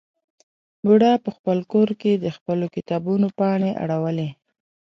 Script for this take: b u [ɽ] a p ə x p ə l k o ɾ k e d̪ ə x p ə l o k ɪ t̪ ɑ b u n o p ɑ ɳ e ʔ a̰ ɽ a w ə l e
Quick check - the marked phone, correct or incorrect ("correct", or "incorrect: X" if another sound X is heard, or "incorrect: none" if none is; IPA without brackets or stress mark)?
correct